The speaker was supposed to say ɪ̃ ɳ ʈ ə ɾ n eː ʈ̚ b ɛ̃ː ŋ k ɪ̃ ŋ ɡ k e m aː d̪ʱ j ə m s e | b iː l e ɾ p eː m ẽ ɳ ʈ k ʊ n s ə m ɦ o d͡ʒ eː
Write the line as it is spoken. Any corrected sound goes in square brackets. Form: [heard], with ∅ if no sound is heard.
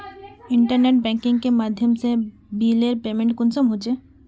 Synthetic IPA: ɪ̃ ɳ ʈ ə ɾ n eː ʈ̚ b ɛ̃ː ŋ k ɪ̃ ŋ ɡ k e m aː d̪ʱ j ə m s e | b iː l e ɾ p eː m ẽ ɳ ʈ k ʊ n s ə m ɦ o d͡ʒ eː

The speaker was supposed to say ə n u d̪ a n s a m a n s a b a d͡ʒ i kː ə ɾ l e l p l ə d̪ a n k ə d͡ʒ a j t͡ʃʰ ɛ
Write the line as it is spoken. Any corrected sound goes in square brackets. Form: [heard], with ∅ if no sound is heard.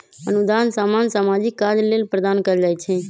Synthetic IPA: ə n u d̪ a n s a m a n s a [m] a d͡ʒ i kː [a] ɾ l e l p [ɾ] ə d̪ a n k ə d͡ʒ a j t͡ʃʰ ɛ

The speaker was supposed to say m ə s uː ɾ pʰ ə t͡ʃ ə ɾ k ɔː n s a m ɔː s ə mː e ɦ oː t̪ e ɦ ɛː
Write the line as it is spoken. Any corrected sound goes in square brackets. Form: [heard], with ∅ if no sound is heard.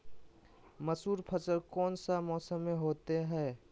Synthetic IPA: m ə s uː ɾ pʰ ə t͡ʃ ə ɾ k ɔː n s a m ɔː s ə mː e ɦ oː t̪ e ɦ ɛː

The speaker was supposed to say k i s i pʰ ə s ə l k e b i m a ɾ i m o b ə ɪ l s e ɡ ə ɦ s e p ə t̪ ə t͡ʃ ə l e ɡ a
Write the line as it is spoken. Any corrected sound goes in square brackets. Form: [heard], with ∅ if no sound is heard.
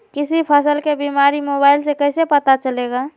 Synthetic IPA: k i s i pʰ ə s ə l k e b i m a ɾ i m o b [a] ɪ l s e [k] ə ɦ s e p ə t̪ [a] t͡ʃ ə l e ɡ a

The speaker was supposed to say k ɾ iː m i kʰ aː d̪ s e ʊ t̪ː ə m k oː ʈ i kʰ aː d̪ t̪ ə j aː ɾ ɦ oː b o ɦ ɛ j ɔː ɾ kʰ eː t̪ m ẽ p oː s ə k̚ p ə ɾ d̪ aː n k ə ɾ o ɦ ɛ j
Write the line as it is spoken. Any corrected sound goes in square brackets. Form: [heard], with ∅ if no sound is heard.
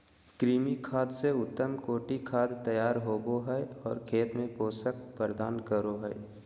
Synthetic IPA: k ɾ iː m i kʰ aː d̪ s e ʊ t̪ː ə m k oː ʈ i kʰ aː d̪ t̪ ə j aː ɾ ɦ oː b o ɦ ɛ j ɔː ɾ kʰ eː t̪ m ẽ p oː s ə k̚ p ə ɾ d̪ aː n k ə ɾ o ɦ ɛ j

